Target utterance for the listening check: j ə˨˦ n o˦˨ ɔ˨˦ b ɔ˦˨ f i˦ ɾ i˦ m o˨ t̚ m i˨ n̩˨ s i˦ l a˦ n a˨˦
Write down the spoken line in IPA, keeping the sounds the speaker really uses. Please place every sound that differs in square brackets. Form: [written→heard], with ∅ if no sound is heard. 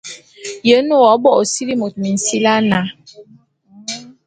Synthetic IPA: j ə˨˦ n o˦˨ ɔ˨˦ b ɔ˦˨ [f→s] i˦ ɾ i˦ m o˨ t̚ m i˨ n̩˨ s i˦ l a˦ n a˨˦